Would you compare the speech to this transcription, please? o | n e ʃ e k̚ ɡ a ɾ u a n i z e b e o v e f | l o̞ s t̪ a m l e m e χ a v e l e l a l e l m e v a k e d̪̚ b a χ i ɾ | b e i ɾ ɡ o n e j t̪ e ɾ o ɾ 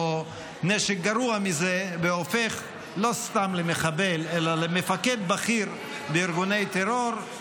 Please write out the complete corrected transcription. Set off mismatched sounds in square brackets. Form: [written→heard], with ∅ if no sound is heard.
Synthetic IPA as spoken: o | n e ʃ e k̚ ɡ a ɾ u a [n→m] i z e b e o [v→f] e [f→χ] | l o̞ s t̪ a m l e m e χ a [v→b] e l e l a l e [l→∅] m e [v→f] a k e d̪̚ b a χ i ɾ | b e i ɾ ɡ [o→u] n e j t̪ e ɾ o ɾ

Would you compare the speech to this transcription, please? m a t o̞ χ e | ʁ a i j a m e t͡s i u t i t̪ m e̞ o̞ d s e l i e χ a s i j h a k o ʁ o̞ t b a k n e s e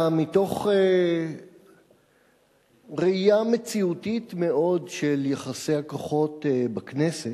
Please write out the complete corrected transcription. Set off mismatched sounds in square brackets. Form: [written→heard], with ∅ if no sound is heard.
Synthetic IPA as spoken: m [a→i] t o̞ χ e | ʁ [a→e] i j a m e t͡s i u t i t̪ m e̞ o̞ d [s→ʃ] e l [i→j] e χ a s [i→e] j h a k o [ʁ→χ] o̞ t b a k n e s e

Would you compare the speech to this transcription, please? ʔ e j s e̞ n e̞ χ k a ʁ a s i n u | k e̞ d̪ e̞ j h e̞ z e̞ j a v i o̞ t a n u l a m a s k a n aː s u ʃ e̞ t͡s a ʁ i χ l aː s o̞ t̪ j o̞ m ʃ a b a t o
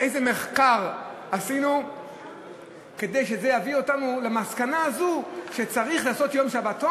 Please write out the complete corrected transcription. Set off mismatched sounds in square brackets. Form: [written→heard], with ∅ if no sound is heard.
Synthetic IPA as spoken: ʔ e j [s→z] e̞ [n→m] e̞ χ k a ʁ a s i n u | k e̞ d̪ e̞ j [h→ʃ] e̞ z e̞ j a v i o̞ t a n u l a m a s k a n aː [s→z] u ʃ e̞ t͡s a ʁ i χ l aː s o̞ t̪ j o̞ m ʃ a b a t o

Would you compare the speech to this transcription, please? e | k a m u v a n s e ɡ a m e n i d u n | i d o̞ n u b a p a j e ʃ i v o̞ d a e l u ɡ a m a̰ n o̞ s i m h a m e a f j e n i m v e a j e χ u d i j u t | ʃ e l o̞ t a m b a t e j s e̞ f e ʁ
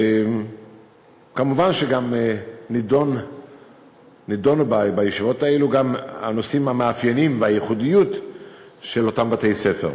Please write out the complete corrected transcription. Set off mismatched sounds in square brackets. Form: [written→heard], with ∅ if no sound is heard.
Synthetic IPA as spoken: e | k a m u v a n [s→ʃ] e ɡ a m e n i d [u→o] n | i d o̞ n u b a [p→b] a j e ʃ i v o̞ [d→t] a e l u ɡ a m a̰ n o̞ s i m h a m e a f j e n i m v e a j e χ u d i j u t | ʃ e l o̞ t a m b a t e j s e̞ f e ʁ

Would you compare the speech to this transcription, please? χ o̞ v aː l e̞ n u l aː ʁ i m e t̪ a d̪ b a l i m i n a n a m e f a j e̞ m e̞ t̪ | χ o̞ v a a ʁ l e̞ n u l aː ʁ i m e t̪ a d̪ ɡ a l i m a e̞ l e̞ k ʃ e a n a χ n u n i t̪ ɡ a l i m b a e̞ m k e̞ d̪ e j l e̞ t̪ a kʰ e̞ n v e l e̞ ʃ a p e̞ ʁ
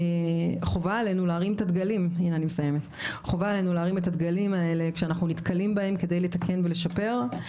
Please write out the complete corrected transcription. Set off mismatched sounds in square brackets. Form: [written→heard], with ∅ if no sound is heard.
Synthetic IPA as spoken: χ o̞ v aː l e̞ n u l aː ʁ i m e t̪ a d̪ [b→ɡ] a l i m i n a n [a→i] m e [f→s] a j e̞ m e̞ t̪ | χ o̞ v a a [ʁ→∅] l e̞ n u l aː ʁ i m e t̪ a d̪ ɡ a l i m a e̞ l e̞ k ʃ e a n a χ n u n i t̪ [ɡ→k] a l i m b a e̞ m k e̞ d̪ e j l e̞ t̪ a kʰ e̞ n v e l e̞ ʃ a p e̞ ʁ

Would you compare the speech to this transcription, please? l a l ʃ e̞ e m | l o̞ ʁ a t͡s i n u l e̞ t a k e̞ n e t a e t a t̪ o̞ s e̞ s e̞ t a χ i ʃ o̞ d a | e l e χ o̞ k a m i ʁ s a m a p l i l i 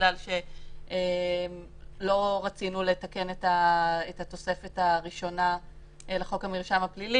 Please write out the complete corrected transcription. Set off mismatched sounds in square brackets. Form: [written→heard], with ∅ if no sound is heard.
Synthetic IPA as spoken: l a l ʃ e̞ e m | l o̞ ʁ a t͡s i n u l e̞ t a k e̞ n e t a e t a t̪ o̞ s e̞ [s→f] e̞ t a [χ→ʁ] i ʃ o̞ [d→n] a | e l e χ o̞ k a m i ʁ [s→ʃ] a m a p l i l i

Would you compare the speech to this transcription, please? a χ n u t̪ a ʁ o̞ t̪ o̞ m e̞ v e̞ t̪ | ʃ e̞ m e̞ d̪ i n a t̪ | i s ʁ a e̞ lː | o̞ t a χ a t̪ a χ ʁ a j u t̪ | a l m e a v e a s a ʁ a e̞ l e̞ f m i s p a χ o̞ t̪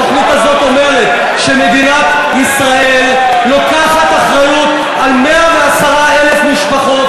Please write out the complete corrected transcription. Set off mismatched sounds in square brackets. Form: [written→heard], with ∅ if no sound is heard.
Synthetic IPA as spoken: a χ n u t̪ a [ʁ→z] o̞ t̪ o̞ m e̞ [v→ʁ] e̞ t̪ | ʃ e̞ m e̞ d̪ i n a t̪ | i s ʁ a e̞ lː | o̞ [t→k] a χ a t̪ a χ ʁ a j u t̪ | a l m e a v e a s a ʁ a e̞ l e̞ f m i [s→ʃ] p a χ o̞ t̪

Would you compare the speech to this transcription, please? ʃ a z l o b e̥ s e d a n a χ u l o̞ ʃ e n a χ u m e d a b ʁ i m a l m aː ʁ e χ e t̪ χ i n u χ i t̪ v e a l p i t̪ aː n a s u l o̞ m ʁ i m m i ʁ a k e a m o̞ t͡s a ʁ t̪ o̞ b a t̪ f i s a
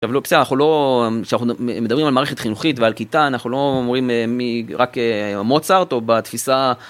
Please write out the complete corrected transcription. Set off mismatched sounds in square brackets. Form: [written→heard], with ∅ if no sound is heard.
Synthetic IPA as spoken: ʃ a [z→v] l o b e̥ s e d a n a χ u l o̞ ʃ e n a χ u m e d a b ʁ i m a l m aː ʁ e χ e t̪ χ i n u χ i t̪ v e a l [p→k] i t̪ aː n a [s→χ] u l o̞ m ʁ i m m i ʁ a k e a m o̞ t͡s a ʁ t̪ o̞ b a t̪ f i s a

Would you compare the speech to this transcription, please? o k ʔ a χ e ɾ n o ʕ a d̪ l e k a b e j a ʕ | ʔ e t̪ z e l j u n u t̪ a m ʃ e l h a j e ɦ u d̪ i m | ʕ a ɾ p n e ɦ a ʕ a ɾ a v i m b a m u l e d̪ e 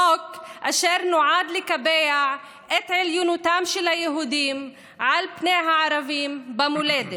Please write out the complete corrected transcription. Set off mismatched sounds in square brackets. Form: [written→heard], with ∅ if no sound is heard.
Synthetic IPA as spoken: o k ʔ a [χ→ʃ] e ɾ n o ʕ a d̪ l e k a b e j a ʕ | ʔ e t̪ [z→ʕ] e l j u n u t̪ a m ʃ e l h a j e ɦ u d̪ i m | ʕ a [ɾ→l] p n e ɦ a ʕ a ɾ a v i m b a m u l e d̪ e

